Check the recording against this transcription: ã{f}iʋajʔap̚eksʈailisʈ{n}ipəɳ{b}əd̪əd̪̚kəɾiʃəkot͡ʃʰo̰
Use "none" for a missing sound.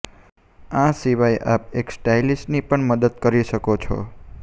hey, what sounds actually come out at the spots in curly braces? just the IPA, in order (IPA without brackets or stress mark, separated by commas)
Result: s, n, m